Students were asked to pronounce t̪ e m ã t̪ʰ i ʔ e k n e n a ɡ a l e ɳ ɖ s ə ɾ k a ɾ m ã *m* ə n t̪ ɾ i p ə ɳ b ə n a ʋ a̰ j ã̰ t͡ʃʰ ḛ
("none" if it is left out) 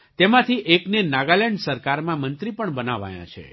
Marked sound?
m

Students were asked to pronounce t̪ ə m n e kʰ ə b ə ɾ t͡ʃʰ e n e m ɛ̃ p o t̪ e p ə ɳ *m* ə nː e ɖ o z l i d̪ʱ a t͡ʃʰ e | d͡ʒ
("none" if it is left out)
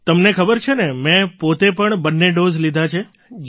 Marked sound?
b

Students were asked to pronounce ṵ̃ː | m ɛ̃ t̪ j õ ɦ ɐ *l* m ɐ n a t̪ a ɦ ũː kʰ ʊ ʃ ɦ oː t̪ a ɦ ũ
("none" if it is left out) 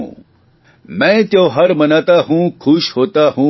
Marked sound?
ɾ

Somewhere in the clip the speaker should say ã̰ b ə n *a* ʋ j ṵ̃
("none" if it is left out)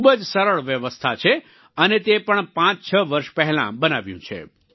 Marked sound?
a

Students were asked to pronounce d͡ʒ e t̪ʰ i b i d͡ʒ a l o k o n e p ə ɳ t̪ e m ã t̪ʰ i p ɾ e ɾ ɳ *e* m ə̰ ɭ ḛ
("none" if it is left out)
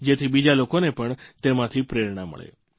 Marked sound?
a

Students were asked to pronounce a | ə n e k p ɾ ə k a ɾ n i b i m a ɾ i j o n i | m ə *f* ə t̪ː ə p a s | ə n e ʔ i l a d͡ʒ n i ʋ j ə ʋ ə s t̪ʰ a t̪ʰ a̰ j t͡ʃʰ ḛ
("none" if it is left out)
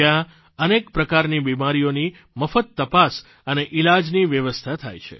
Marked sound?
f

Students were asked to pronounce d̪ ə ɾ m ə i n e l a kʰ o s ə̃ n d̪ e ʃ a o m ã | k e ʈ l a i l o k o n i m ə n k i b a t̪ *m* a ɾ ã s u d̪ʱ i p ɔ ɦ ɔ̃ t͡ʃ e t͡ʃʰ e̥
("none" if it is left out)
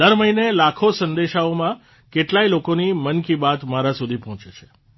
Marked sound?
m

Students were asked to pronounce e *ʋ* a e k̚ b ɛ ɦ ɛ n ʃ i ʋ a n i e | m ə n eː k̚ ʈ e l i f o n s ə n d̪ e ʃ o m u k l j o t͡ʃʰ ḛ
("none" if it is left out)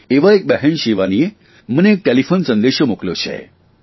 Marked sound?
ʋ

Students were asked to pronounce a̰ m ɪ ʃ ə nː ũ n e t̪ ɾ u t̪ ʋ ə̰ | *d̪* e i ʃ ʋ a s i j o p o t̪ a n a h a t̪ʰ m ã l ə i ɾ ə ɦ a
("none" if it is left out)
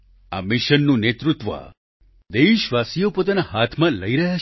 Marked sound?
d̪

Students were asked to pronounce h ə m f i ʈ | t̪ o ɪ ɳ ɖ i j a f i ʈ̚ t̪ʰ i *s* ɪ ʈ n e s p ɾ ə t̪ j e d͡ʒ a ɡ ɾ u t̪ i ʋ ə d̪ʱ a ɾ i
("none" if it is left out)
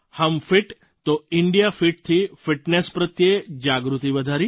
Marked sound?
f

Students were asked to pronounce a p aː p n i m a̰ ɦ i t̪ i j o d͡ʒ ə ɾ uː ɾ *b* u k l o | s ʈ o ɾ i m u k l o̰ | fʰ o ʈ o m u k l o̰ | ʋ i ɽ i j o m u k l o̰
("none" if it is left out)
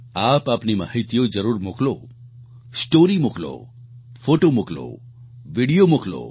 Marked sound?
m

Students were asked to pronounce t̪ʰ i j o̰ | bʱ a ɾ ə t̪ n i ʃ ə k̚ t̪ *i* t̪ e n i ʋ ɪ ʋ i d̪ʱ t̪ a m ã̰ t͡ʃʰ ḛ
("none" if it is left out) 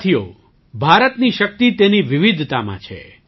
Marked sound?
i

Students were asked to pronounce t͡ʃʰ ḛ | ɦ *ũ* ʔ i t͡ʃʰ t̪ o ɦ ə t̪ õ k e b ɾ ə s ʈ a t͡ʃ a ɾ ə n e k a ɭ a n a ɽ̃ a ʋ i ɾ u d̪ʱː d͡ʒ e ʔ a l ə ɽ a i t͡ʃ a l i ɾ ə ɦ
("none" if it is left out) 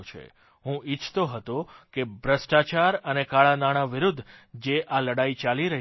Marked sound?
ũ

